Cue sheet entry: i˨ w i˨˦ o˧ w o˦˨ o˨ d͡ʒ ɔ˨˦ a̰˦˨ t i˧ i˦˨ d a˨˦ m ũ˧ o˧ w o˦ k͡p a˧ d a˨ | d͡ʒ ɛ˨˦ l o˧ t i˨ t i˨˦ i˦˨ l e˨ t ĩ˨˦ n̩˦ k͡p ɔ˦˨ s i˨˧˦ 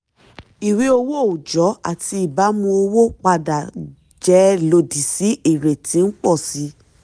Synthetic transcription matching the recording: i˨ w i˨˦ o˧ w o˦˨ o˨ d͡ʒ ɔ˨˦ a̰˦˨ t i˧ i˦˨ b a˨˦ m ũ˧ o˧ w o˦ k͡p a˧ d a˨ | d͡ʒ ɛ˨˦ l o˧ d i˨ s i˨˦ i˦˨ ɾ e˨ t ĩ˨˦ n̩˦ k͡p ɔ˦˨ s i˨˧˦